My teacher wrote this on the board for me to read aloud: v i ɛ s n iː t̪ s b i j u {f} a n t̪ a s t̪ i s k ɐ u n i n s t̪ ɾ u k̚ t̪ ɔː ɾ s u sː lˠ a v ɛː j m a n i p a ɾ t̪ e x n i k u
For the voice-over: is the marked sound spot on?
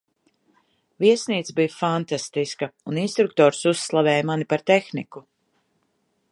yes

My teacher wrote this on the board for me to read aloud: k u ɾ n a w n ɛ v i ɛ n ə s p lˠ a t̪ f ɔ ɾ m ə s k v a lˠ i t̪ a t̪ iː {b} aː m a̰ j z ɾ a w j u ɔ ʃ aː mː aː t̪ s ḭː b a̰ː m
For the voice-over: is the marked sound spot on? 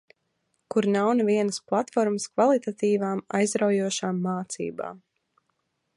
no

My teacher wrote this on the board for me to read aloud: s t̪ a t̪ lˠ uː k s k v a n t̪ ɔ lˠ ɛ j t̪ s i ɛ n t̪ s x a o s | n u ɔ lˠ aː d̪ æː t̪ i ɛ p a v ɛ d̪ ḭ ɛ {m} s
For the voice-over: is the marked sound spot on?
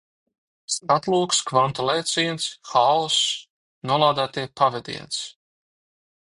no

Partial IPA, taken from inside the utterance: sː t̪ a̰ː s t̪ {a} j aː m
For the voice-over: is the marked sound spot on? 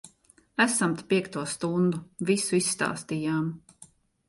no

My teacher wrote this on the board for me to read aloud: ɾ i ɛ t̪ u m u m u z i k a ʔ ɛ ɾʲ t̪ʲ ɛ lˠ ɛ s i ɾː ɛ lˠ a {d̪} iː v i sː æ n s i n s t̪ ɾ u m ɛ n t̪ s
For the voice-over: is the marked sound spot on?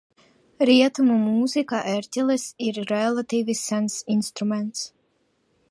no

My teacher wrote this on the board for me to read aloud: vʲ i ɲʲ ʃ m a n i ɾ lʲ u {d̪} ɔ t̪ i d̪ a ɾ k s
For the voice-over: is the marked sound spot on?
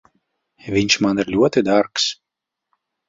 no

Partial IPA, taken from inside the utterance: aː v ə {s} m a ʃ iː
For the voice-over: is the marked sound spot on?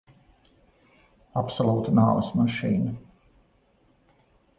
yes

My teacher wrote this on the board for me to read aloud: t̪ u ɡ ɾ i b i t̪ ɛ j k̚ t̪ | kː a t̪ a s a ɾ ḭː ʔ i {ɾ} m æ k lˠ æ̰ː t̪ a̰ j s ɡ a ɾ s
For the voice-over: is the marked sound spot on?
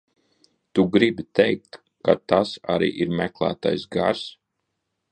yes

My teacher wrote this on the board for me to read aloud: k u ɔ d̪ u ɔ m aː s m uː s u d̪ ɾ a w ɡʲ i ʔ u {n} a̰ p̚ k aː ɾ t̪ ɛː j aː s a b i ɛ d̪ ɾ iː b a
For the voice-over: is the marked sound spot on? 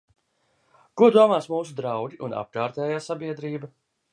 yes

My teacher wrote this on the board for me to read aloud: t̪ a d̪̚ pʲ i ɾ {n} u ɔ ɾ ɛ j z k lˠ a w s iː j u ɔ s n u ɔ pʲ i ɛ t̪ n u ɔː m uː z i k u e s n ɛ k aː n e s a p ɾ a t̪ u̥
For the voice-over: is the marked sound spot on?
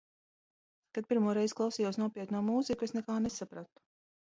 no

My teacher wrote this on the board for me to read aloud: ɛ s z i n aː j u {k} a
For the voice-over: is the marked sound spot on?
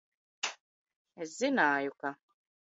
yes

